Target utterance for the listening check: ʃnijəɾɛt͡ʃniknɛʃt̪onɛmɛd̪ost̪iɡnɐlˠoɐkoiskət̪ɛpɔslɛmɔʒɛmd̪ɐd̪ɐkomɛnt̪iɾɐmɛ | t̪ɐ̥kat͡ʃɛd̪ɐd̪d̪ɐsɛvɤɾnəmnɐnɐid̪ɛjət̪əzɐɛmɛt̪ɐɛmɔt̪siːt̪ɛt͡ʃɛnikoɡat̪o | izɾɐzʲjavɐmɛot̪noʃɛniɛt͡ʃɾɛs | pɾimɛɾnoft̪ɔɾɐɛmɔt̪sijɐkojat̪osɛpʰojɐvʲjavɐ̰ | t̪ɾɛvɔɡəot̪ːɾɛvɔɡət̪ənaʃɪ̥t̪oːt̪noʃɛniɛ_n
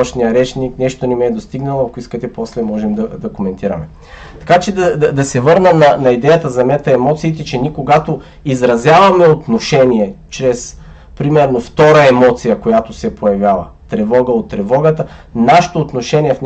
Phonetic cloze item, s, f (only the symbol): f